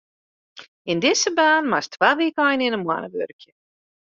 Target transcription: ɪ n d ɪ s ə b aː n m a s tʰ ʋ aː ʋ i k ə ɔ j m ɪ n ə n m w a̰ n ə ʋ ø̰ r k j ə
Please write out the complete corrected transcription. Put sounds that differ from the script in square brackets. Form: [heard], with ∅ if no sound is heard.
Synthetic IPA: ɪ n d ɪ s ə b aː n m a s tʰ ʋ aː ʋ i k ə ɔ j [n] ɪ n ə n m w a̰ n ə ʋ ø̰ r k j ə